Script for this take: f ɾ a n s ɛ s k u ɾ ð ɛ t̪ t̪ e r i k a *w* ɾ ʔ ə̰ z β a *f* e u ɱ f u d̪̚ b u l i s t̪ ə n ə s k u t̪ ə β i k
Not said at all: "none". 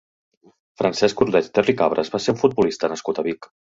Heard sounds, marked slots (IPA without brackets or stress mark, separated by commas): β, s